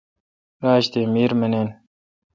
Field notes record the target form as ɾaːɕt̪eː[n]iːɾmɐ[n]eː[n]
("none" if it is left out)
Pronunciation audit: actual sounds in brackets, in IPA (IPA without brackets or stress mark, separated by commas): m, n, n